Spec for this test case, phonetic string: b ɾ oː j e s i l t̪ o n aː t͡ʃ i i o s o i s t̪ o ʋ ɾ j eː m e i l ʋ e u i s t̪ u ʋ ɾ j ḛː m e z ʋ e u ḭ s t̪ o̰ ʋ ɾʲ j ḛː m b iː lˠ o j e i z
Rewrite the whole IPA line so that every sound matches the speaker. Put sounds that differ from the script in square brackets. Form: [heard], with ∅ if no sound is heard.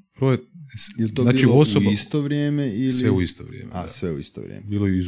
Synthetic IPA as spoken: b ɾ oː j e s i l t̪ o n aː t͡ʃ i i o s o i s t̪ o ʋ ɾ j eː m e i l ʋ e u i s t̪ [o] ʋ ɾ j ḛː m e [s] ʋ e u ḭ s t̪ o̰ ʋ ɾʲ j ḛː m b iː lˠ o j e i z